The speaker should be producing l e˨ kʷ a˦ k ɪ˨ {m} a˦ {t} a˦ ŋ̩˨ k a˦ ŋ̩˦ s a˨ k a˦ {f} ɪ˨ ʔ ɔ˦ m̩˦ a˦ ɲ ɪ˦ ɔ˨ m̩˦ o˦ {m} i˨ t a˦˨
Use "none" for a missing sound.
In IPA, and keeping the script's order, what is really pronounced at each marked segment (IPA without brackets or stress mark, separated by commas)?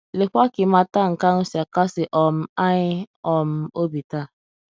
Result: m, t, s, b